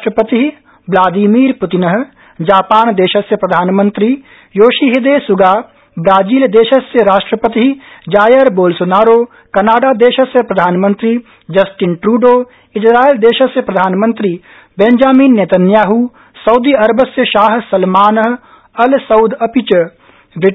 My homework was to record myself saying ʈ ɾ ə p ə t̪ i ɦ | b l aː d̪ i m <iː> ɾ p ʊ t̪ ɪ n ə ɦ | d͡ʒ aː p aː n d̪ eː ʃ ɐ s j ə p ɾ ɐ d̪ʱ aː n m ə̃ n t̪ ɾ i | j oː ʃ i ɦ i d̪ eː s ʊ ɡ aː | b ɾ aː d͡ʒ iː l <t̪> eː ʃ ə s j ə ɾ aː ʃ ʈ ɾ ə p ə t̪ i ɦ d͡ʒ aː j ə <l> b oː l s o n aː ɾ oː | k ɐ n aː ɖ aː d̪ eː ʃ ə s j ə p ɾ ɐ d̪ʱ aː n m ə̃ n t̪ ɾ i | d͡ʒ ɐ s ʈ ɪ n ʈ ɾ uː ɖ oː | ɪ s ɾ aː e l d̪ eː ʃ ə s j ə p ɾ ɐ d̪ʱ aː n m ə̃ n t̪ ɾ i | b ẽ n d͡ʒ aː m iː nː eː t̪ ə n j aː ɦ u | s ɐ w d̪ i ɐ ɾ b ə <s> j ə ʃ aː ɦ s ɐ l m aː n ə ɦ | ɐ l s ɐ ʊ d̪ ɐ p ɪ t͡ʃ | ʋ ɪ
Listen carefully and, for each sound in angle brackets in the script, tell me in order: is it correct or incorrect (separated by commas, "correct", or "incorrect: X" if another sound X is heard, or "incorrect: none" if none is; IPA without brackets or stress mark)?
correct, incorrect: d̪, incorrect: ɾ, correct